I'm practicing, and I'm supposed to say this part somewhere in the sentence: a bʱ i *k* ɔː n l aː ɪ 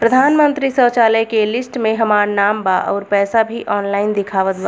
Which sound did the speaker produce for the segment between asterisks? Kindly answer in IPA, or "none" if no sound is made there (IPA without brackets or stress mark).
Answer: ʔ